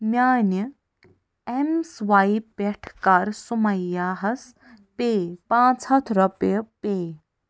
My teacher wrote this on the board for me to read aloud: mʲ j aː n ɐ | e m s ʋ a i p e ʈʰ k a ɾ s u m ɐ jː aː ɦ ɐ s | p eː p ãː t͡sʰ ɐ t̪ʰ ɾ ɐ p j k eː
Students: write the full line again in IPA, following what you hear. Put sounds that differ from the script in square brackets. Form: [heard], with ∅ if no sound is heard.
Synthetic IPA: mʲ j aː n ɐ | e m s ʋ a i p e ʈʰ k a ɾ s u m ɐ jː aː ɦ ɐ s | p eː p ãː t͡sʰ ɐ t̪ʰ ɾ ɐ p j [p] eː